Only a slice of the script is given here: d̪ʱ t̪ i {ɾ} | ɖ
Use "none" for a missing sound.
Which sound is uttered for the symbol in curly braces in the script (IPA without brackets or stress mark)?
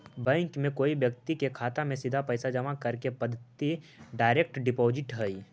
none